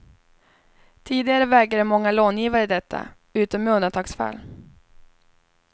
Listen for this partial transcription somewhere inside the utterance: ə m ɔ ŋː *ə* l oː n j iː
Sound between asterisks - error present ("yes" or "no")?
yes